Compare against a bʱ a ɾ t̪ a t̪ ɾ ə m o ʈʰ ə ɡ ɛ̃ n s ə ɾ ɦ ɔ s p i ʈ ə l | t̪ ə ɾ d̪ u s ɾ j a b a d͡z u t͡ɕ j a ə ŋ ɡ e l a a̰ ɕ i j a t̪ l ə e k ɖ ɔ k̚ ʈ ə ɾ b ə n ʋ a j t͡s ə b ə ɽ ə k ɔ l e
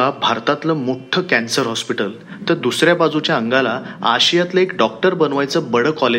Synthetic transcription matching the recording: a bʱ a ɾ t̪ a t̪ l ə m o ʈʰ ə k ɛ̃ n s ə ɾ ɦ ɔ s p i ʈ ə l | t̪ ə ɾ d̪ u s ɾ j a b a d͡z u t͡ɕ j a ə ŋ ɡ a l a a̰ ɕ i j a t̪ l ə e k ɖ ɔ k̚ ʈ ə ɾ b ə n ʋ a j t͡s ə b ə ɽ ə k ɔ l e